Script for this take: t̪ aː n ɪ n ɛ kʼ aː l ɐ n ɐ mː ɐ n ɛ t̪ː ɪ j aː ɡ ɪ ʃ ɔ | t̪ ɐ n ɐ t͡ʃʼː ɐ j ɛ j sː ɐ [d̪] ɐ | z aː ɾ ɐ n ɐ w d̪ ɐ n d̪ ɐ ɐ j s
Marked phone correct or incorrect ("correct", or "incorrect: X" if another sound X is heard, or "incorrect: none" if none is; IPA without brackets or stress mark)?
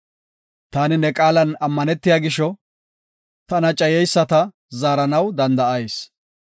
incorrect: t̪